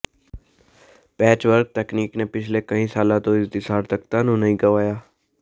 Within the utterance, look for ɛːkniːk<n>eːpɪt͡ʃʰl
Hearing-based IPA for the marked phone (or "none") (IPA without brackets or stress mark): n